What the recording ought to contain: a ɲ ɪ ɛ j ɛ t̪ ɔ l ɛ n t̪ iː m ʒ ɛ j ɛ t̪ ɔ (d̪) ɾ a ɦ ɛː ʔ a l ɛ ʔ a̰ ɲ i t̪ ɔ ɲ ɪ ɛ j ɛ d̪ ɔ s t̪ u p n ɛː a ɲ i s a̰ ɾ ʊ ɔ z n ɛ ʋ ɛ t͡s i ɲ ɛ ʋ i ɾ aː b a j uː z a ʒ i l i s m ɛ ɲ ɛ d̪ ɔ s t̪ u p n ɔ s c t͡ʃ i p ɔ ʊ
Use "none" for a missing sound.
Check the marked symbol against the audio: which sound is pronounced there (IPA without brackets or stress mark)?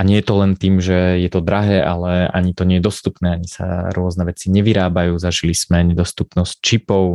d̪